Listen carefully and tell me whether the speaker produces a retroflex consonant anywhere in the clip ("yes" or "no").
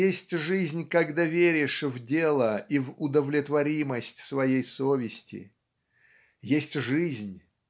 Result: yes